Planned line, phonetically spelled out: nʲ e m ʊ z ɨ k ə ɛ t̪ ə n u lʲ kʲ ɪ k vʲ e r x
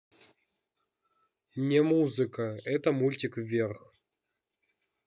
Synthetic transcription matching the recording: nʲ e m u z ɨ k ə ɛ t̪ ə m u lʲ tʲ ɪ k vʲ e r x